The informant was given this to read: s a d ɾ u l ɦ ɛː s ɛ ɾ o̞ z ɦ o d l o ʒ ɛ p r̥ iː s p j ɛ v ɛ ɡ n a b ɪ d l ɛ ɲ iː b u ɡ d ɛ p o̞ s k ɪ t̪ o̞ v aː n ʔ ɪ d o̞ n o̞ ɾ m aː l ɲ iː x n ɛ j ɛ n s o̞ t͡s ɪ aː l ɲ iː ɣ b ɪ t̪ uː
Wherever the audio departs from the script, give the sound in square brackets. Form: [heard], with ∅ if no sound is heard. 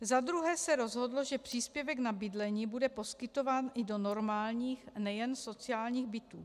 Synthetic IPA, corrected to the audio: [z] a d ɾ u [∅] ɦ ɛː s ɛ ɾ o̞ z ɦ o d l o ʒ ɛ p r̥ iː s p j ɛ v ɛ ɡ n a b ɪ d l ɛ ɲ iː b u [∅] d ɛ p o̞ s k ɪ t̪ o̞ v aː n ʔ ɪ d o̞ n o̞ ɾ m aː l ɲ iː x n ɛ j ɛ n s o̞ t͡s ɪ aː l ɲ iː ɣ b ɪ t̪ uː

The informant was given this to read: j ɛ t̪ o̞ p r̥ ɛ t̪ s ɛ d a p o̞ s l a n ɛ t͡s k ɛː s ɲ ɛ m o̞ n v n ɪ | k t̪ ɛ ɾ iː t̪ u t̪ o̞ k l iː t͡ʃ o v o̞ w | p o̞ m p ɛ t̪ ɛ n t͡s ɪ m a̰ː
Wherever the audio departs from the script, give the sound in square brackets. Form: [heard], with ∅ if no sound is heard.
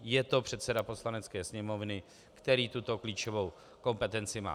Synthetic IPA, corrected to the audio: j ɛ t̪ o̞ p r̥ ɛ t̪ s ɛ d a p o̞ s l a n ɛ t͡s k ɛː s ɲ ɛ m o̞ [∅] v n ɪ | k t̪ ɛ ɾ iː t̪ u t̪ o̞ k l iː t͡ʃ o v o̞ w | [k] o̞ m p ɛ t̪ ɛ n t͡s ɪ m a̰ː

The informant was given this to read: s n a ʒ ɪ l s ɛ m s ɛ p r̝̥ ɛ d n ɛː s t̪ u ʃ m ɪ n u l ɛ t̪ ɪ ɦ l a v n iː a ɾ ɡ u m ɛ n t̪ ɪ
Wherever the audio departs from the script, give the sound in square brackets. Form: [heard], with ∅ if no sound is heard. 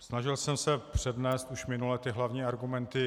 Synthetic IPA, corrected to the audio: s n a ʒ ɪ l s ɛ m s ɛ p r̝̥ ɛ d n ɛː s t̪ u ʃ m ɪ n u l ɛ t̪ ɪ ɦ l a v [ɲ] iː a ɾ ɡ u m ɛ n t̪ ɪ

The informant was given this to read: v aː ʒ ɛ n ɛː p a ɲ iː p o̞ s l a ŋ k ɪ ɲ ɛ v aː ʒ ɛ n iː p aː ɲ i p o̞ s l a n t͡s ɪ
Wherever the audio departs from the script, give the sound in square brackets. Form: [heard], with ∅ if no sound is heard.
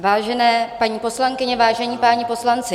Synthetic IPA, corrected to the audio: v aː ʒ ɛ n ɛː p a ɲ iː p o̞ s l a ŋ k ɪ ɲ ɛ v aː ʒ ɛ [ɲ] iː p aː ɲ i p o̞ s l a n t͡s ɪ

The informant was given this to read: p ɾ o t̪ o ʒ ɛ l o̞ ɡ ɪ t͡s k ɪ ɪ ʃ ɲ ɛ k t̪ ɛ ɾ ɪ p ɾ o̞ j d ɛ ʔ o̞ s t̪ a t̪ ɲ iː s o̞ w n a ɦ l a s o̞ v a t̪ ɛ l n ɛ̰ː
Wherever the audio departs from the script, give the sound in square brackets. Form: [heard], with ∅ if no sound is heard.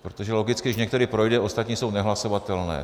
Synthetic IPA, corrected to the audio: p ɾ o t̪ o ʒ ɛ l o̞ ɡ ɪ t͡s k ɪ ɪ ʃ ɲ ɛ k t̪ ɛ ɾ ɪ p ɾ o̞ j d ɛ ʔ o̞ s t̪ a t̪ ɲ iː s o̞ w n [ɛ] ɦ l a s o̞ v a t̪ ɛ l n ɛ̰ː

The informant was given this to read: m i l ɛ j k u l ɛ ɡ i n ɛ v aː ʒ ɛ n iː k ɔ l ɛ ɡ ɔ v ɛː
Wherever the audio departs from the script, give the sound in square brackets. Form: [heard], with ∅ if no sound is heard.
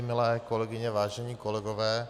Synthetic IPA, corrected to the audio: m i l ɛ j k [ɔ] l ɛ ɡ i [ɲ] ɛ [ʋ] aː ʒ ɛ [ɲ] iː k ɔ l ɛ ɡ ɔ [ʋ] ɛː

